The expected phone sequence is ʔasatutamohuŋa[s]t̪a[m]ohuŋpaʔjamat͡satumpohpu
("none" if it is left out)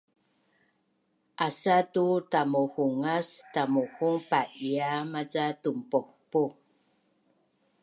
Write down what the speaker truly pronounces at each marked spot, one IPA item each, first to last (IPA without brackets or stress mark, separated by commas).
s, m